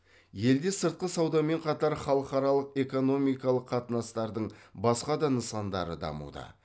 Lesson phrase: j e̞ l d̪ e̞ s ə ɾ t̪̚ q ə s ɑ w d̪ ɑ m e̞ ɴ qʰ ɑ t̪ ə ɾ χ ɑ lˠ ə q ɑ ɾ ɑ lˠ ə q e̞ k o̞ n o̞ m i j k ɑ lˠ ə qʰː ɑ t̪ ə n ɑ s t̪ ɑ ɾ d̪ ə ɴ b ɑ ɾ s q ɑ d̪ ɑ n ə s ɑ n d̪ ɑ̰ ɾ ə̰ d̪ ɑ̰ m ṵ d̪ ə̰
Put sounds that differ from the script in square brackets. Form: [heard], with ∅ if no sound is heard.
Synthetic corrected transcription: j e̞ l d̪ e̞ s ə ɾ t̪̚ q ə s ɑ w d̪ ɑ m e̞ ɴ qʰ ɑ t̪ [ɑ] ɾ χ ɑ lˠ ə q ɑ ɾ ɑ lˠ ə q e̞ k o̞ n o̞ m i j k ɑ lˠ ə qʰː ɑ t̪ ə n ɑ s t̪ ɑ ɾ d̪ ə ɴ b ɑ [∅] s q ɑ d̪ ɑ n ə s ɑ n d̪ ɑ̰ ɾ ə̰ d̪ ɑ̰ m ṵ d̪ ə̰